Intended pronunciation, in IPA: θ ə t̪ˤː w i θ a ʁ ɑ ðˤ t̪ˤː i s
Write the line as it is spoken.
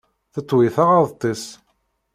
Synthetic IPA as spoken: θ ə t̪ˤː w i θ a ʁ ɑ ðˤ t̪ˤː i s